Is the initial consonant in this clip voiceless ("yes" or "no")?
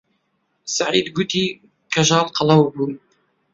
yes